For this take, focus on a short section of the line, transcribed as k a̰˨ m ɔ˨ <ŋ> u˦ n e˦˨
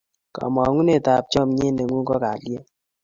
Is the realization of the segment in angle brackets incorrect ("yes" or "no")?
no